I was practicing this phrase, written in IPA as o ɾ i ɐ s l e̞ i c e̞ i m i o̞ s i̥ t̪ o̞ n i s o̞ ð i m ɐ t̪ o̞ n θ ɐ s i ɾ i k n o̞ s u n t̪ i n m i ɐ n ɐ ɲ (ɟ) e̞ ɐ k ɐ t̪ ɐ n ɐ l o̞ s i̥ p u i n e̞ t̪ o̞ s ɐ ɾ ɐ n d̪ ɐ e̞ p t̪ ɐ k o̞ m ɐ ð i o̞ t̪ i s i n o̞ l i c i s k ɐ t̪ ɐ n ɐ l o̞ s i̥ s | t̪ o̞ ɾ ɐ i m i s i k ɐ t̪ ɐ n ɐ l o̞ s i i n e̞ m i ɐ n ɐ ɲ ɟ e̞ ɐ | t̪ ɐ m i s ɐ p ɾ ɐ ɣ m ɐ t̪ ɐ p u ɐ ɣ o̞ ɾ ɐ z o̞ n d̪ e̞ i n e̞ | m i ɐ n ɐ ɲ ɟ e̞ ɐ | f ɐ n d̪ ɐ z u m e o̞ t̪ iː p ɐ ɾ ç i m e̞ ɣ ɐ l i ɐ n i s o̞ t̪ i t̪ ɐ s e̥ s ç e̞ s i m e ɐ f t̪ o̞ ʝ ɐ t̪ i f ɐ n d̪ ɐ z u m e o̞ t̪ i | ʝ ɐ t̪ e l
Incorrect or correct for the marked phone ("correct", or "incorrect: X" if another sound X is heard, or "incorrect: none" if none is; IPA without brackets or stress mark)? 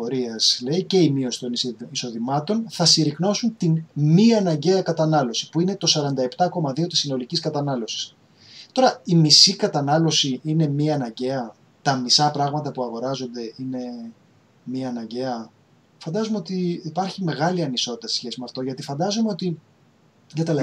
correct